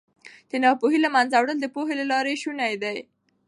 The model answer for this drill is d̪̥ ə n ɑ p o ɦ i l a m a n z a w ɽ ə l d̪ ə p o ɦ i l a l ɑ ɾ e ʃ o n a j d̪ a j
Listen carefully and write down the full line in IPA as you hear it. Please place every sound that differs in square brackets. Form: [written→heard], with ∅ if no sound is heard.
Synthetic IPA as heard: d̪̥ ə n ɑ p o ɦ i l a m a n z a w ɽ ə l d̪ ə p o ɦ [i→e] l a l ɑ ɾ e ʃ [o→u] n a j d̪ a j